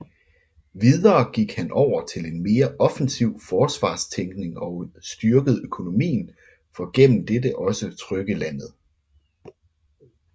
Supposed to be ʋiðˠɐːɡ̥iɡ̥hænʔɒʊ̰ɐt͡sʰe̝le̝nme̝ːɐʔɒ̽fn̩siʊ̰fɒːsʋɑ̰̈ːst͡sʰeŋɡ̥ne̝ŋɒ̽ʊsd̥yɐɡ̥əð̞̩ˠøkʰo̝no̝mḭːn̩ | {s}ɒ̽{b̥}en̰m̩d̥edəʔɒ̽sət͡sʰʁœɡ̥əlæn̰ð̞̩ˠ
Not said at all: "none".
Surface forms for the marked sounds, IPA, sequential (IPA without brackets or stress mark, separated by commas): f, ɡ̥